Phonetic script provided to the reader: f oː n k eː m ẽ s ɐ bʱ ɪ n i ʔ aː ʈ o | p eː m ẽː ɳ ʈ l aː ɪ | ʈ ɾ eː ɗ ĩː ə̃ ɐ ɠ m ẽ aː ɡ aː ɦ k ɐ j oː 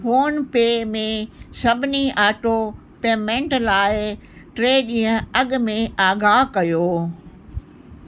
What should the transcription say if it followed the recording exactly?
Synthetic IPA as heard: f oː n p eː m ẽ s ɐ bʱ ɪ n i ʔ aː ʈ o | p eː m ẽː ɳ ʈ l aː ɪ | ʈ ɾ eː ɗ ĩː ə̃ ɐ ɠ m ẽ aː ɡ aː ɦ k ɐ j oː